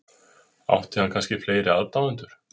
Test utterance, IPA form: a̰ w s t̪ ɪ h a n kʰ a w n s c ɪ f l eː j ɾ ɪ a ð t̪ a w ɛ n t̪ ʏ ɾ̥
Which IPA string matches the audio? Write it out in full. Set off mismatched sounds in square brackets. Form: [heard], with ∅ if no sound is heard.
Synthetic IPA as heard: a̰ w [h] t̪ ɪ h a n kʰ a [∅] n s c ɪ f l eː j ɾ ɪ a ð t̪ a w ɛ n t̪ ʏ ɾ̥